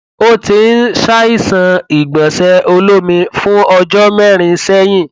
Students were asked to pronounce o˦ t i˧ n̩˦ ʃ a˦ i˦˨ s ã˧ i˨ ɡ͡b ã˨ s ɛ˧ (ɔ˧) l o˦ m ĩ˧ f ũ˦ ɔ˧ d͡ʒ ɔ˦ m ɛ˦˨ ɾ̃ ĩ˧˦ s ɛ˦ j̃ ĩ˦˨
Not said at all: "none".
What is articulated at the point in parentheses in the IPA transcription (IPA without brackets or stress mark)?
o˧